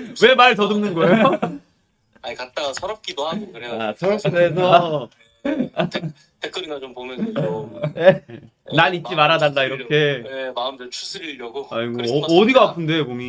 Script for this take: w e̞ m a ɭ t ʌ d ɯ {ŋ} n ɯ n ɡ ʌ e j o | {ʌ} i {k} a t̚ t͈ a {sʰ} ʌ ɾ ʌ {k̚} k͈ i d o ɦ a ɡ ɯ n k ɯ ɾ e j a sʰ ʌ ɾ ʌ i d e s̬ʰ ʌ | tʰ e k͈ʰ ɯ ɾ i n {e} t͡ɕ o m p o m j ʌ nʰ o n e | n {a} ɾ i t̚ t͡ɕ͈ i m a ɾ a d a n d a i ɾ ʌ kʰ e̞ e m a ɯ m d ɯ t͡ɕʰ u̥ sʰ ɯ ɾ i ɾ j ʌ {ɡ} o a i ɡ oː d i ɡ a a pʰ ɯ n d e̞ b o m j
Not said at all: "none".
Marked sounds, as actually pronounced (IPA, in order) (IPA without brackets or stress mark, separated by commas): m, a, k, sʰ, p̚, a, a, ɡ